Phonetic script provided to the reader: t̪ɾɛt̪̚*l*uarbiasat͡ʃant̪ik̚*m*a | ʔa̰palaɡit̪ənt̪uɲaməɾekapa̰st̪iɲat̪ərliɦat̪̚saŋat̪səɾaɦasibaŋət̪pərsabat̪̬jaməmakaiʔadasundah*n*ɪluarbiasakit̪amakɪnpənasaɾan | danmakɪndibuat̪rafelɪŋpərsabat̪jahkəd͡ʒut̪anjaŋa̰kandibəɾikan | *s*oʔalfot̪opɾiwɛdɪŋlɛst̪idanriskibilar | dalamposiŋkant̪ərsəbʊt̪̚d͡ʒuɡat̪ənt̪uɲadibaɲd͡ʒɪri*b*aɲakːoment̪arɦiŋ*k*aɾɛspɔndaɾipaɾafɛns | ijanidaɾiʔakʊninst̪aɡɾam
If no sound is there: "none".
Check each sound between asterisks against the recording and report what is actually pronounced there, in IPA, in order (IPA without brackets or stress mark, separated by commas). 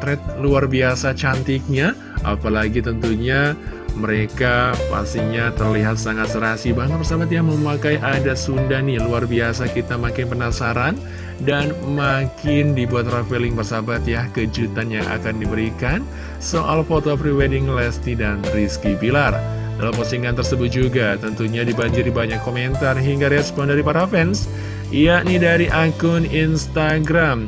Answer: l, ɲ, n, s, b, ɡ